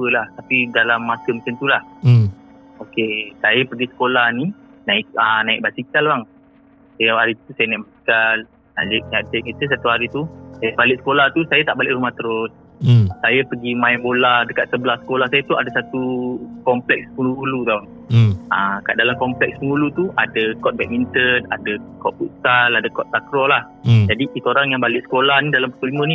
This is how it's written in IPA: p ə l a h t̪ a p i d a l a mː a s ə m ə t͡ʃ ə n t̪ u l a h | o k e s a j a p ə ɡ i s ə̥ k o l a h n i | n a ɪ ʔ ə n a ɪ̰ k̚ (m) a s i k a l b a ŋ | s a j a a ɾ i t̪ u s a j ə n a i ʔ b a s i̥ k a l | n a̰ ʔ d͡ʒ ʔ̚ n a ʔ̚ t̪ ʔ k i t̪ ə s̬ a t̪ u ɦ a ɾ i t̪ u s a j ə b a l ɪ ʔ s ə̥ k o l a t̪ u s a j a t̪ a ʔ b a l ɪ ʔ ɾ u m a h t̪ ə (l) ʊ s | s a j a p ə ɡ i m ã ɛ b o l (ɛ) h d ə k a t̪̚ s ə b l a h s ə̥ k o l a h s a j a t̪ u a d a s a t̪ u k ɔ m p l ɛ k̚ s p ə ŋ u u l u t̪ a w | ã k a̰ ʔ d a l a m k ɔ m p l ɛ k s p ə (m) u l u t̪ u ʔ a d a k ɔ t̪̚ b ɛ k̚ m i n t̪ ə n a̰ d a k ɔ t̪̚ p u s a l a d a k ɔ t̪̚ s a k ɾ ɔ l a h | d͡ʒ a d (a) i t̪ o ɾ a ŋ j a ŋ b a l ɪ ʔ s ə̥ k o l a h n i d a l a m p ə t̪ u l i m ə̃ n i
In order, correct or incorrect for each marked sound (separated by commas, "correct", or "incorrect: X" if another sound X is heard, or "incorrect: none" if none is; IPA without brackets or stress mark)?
incorrect: b, incorrect: ɾ, incorrect: a, incorrect: ŋ, incorrect: i